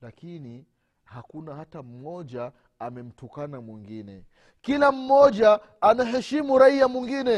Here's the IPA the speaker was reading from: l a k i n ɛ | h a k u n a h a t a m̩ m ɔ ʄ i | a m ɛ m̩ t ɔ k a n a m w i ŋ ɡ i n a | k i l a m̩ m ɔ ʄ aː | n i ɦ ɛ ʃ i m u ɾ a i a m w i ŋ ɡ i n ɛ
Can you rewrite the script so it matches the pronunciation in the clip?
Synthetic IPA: l a k i n i | h a k u n a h a t a m̩ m ɔ ʄ a | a m ɛ m̩ t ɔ k a n a m w i ŋ ɡ i n ɛ | k i l a m̩ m ɔ ʄ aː | n a ɦ ɛ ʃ i m u ɾ a i a m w i ŋ ɡ i n ɛ